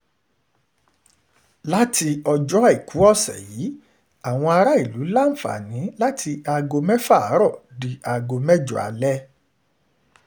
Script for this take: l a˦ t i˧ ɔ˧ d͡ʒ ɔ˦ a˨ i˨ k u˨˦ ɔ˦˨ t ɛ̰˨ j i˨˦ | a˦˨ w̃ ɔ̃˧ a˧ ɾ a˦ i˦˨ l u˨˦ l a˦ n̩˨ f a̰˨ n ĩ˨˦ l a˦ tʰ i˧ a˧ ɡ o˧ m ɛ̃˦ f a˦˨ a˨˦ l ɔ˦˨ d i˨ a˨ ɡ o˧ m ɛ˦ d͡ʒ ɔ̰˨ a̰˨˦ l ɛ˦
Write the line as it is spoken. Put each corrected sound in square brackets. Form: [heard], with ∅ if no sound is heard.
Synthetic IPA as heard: l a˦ t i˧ ɔ˧ d͡ʒ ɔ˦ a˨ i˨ k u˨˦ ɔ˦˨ [s] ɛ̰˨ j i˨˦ | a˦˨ w̃ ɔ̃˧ a˧ ɾ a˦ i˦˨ l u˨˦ l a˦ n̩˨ f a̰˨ n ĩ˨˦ l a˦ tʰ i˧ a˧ ɡ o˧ m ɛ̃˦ f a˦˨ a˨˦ [ɾ] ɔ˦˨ d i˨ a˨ ɡ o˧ m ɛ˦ d͡ʒ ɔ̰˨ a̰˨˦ l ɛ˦